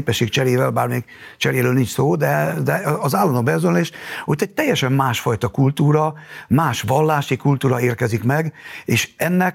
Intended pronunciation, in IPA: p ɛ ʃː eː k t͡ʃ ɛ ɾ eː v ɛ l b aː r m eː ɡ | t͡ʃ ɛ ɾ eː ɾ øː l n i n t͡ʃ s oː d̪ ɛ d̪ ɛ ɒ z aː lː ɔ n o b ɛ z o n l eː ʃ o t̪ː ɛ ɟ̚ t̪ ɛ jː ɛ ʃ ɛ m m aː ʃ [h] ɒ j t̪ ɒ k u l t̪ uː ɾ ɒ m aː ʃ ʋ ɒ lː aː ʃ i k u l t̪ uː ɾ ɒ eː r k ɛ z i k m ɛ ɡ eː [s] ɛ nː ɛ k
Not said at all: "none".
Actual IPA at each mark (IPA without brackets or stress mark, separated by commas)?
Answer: f, ʃ